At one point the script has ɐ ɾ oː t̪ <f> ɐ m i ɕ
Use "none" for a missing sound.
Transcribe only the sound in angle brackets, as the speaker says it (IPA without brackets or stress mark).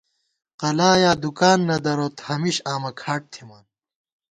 h